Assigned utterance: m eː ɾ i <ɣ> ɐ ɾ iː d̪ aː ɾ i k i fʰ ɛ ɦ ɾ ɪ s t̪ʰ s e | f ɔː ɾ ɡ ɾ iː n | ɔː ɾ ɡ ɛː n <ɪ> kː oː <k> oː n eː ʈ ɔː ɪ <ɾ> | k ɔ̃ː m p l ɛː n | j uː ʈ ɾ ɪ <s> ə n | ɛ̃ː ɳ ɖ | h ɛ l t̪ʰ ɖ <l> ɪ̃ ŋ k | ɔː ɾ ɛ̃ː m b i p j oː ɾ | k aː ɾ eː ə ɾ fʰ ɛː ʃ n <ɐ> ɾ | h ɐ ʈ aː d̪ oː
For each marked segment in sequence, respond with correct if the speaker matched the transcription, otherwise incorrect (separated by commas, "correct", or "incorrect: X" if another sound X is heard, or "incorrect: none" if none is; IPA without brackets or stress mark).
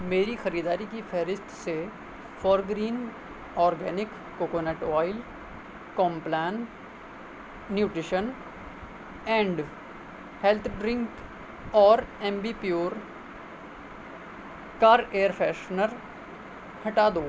incorrect: x, correct, correct, incorrect: l, incorrect: ʃ, incorrect: ɾ, incorrect: ə